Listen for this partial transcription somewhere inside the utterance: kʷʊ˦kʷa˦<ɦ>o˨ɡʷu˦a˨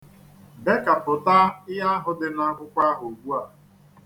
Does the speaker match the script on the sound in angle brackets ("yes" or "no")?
yes